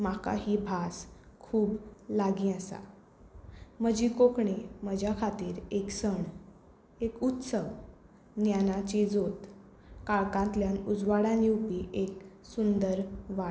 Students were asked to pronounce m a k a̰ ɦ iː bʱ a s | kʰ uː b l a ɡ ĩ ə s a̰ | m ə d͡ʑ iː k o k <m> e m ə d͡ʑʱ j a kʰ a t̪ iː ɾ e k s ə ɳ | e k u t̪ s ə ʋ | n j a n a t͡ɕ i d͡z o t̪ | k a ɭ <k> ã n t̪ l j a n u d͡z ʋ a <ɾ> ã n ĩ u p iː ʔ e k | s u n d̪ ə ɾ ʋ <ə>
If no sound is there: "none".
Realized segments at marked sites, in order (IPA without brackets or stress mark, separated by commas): ɳ, k, ɽ, a